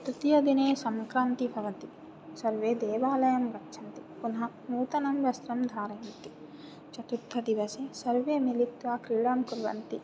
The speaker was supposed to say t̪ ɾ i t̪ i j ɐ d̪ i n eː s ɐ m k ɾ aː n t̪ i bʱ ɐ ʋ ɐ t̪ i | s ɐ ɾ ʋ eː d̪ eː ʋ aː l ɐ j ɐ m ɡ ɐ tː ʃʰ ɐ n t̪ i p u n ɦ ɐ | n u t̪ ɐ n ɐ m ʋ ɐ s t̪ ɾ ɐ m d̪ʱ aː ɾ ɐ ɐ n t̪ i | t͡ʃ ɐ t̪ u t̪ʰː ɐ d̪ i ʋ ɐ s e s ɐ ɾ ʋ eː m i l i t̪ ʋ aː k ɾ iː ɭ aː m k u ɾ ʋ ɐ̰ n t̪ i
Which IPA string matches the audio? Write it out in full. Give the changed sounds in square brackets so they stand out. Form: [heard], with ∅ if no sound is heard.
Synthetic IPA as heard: t̪ ɾ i t̪ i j ɐ d̪ i n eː s ɐ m k ɾ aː n t̪ i bʱ ɐ ʋ ɐ t̪ i | s ɐ ɾ ʋ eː d̪ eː ʋ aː l ɐ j ɐ m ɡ ɐ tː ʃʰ ɐ n t̪ i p u n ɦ ɐ | n [uː] t̪ ɐ n ɐ m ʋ ɐ s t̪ ɾ ɐ m d̪ʱ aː ɾ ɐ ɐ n t̪ i | t͡ʃ ɐ t̪ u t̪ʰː ɐ d̪ i ʋ ɐ s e s ɐ ɾ ʋ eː m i l i t̪ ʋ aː k ɾ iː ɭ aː m k u ɾ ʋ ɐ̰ n t̪ i